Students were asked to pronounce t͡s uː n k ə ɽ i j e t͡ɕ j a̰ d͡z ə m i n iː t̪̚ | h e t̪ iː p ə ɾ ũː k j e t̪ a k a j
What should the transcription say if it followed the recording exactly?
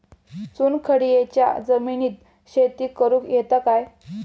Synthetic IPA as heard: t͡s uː n kʰ ə ɽ i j e t͡ɕ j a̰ d͡z ə m i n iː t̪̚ | ɕ e t̪ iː k ə ɾ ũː k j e t̪ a k a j